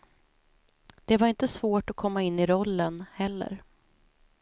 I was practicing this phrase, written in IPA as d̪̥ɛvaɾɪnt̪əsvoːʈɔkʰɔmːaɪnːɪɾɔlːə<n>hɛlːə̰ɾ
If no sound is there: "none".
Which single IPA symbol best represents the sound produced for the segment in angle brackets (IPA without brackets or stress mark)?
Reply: n